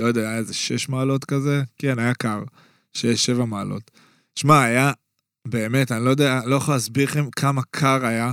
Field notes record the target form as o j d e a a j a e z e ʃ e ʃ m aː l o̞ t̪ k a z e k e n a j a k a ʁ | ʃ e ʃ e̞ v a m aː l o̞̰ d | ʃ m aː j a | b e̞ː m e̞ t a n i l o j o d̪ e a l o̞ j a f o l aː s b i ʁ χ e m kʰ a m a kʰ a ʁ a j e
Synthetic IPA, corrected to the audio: o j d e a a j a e z e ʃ e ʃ m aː l o̞ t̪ k a z e k e n a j a k a ʁ | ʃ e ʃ e̞ v a m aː l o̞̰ t | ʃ m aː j a | b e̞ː m e̞ t a n i l o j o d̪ e a l o̞ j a χ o l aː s b i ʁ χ e m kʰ a m a kʰ a ʁ a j a